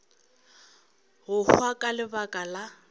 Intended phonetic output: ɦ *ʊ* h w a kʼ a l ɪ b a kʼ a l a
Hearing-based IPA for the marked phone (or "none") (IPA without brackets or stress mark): ʊ